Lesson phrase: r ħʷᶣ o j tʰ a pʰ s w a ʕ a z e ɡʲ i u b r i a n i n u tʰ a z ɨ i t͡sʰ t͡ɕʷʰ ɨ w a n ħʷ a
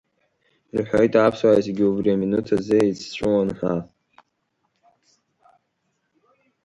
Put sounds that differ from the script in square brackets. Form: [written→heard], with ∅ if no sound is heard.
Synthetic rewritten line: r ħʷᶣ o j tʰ a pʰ s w a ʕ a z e ɡʲ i u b r i a [n→m] i n u tʰ a z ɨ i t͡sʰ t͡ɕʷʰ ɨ w a n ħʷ a